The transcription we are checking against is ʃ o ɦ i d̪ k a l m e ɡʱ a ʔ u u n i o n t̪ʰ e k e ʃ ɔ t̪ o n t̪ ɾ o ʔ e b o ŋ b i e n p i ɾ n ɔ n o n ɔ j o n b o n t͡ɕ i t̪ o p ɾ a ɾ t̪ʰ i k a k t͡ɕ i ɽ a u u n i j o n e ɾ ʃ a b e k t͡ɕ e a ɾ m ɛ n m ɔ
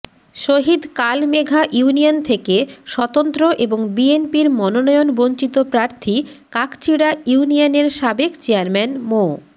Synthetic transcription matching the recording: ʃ o ɦ i d̪ k a l m e ɡʱ a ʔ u u n i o n t̪ʰ e k e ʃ ɔ t̪ o n t̪ ɾ o ʔ e b o ŋ b i e n p i ɾ m ɔ n o n ɔ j o n b o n t͡ɕ i t̪ o p ɾ a ɾ t̪ʰ i k a k t͡ɕ i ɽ a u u n i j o n e ɾ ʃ a b e k t͡ɕ e a ɾ m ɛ n m o